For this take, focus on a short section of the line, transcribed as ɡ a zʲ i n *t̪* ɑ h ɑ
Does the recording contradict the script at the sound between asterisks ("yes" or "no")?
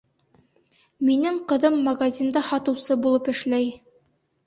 yes